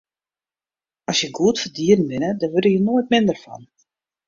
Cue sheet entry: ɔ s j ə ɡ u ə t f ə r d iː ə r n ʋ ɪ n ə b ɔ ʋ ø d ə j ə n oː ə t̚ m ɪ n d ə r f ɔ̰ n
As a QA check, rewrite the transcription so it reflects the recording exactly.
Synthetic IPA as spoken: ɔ s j ə ɡ u ə t f ə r d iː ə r n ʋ ɪ n ə d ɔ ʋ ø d ə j ə n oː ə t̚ m ɪ n d ə r f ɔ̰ n